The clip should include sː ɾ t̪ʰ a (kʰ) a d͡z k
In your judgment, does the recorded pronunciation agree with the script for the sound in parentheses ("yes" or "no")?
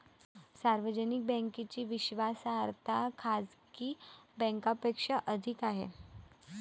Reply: yes